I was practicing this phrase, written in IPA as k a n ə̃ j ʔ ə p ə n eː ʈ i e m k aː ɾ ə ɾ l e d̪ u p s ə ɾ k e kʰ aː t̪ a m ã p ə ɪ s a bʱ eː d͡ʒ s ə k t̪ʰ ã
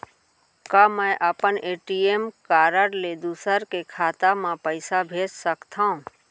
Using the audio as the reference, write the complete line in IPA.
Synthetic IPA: k a m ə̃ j ʔ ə p ə n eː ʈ i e m k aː ɾ ə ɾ l e d̪ u s ə ɾ k e kʰ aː t̪ a m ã p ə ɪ s a bʱ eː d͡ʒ s ə k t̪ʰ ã